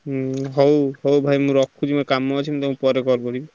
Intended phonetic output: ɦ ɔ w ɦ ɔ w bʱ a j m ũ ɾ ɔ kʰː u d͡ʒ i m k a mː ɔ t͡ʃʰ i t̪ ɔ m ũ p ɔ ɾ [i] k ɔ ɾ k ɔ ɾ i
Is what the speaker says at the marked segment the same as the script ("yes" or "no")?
no